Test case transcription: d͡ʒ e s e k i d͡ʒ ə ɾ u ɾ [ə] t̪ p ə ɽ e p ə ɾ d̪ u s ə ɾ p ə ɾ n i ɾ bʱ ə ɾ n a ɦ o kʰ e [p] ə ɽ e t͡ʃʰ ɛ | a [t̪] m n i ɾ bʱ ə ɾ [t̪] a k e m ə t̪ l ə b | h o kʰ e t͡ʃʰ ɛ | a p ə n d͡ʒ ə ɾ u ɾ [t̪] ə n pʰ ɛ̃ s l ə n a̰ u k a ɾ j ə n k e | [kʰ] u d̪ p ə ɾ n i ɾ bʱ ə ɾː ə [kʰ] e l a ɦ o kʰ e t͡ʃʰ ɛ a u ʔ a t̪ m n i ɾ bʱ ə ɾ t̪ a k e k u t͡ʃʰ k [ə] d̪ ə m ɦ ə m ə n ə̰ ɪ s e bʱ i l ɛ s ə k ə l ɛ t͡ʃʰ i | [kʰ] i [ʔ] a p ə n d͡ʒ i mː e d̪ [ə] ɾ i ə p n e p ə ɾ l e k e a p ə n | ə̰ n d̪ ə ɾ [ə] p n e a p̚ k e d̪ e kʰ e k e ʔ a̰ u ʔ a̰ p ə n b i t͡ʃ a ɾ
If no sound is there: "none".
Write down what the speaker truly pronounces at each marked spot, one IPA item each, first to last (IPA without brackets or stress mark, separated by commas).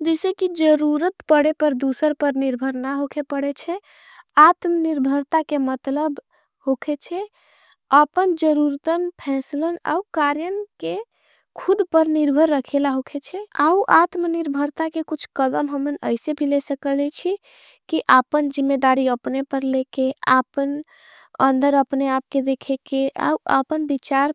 ə, p, t̪, t̪, t̪, kʰ, kʰ, ə, k, ʔ, a, ə